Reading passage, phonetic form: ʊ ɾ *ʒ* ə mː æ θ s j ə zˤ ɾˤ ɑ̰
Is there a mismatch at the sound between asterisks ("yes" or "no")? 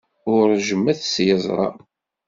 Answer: no